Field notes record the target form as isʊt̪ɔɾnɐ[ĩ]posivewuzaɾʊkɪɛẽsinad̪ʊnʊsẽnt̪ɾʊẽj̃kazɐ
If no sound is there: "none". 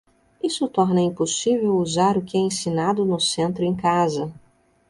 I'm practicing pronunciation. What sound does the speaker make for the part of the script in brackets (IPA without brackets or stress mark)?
ĩ